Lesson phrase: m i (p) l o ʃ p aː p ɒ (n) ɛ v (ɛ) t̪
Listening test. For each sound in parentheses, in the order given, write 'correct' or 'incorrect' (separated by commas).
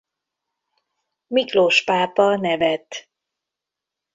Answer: incorrect, correct, correct